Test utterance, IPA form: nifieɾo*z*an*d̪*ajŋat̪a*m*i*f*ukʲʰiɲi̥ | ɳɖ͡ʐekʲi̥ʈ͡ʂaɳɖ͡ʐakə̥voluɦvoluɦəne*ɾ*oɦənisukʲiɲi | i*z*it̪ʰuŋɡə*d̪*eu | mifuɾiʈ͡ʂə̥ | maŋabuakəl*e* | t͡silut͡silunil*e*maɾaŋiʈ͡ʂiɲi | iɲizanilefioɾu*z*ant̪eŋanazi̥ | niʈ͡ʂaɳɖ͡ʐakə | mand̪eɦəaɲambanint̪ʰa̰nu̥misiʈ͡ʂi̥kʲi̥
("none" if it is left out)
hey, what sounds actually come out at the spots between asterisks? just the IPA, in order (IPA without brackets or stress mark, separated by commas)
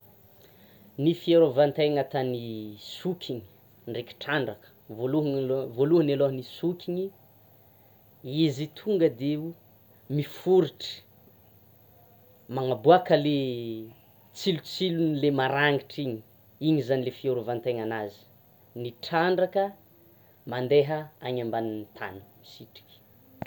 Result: v, t̪, n, s, l, z, d̪, e, e, v